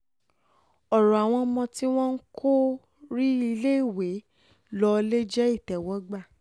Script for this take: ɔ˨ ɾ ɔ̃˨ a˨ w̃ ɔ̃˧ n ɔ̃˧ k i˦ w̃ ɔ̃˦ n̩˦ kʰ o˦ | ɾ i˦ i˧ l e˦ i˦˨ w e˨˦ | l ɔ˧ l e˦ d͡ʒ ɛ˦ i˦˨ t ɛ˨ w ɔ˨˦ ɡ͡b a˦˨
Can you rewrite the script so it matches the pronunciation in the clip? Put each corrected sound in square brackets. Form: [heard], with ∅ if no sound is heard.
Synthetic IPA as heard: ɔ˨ ɾ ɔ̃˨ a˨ w̃ ɔ̃˧ [m] ɔ̃˧ [t] i˦ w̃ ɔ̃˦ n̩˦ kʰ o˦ | ɾ i˦ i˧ l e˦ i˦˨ w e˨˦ | l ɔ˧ l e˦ d͡ʒ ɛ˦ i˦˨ t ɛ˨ w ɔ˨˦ ɡ͡b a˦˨